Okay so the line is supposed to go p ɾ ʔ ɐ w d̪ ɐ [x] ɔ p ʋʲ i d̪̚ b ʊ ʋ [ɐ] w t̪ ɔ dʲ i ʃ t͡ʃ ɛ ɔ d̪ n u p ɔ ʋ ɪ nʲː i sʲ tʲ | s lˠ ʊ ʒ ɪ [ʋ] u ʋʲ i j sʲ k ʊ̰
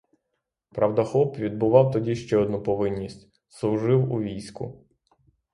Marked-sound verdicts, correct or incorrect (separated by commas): correct, incorrect, incorrect